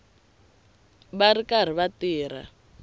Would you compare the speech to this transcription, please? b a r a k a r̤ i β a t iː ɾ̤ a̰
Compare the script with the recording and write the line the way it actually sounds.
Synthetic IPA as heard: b a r i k a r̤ i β a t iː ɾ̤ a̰